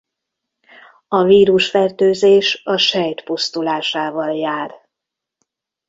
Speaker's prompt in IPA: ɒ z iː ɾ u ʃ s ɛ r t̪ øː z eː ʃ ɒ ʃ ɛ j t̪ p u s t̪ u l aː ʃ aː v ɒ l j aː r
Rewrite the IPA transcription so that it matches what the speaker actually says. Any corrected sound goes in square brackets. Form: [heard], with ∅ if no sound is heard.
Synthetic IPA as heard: ɒ [v] iː ɾ u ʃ [f] ɛ r t̪ øː z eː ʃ ɒ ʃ ɛ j t̪ p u s t̪ u l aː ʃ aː v ɒ l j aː r